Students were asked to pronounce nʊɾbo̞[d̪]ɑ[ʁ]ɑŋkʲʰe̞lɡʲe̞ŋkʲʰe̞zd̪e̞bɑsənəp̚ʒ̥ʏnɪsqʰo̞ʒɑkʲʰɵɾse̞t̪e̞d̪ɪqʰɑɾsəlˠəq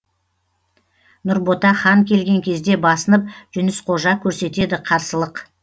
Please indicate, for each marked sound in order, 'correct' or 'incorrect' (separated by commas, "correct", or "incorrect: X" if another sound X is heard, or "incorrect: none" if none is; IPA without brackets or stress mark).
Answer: incorrect: t̪, incorrect: χ